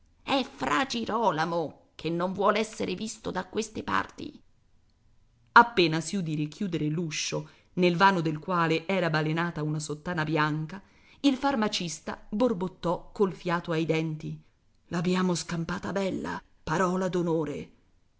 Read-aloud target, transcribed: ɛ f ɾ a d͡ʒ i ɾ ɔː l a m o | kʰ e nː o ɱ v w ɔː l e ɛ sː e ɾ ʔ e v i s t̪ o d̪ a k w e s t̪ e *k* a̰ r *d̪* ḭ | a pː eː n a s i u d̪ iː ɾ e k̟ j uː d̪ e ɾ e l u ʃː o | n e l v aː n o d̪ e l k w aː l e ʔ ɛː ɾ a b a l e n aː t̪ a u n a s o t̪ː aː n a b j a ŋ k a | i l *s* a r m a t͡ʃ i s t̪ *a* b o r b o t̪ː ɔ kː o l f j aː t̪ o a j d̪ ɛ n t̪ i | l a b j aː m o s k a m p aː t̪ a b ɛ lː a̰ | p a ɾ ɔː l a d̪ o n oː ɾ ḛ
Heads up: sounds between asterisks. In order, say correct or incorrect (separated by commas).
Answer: incorrect, incorrect, incorrect, correct